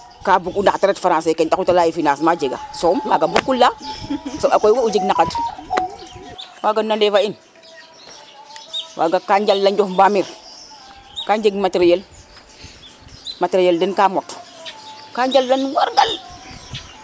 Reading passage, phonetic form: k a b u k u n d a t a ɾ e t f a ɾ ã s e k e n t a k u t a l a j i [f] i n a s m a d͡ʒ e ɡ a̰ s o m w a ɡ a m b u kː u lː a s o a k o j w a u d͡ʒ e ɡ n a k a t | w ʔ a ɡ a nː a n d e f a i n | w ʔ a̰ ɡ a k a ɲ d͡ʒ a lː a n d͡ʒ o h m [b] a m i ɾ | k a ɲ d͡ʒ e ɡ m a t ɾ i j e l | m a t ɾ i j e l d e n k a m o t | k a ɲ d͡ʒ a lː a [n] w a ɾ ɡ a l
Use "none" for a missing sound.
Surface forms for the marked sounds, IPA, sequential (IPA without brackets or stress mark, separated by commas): f, b, n